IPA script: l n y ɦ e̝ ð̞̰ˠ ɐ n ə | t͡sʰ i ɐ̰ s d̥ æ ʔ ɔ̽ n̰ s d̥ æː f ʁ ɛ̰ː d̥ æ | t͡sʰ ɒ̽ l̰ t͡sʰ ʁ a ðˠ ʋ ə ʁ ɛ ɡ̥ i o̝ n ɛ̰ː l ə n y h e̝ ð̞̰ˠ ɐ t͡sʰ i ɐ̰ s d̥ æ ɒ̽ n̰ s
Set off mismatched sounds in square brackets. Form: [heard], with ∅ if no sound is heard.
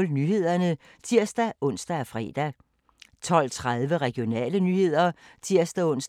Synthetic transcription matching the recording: l n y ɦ e̝ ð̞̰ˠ ɐ n ə | t͡sʰ i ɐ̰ s d̥ æ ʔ ɔ̽ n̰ s d̥ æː f ʁ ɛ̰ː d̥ æ | t͡sʰ ɒ̽ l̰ t͡sʰ ʁ a ðˠ ʋ ə ʁ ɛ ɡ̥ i o̝ n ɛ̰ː l ə n y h e̝ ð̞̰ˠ ɐ t͡sʰ i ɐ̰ s d̥ æ [ɔ̽] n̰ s